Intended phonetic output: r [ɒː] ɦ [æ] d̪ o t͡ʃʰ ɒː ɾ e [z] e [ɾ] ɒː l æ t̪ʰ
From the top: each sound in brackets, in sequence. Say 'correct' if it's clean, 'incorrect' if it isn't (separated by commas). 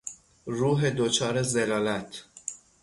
incorrect, incorrect, correct, incorrect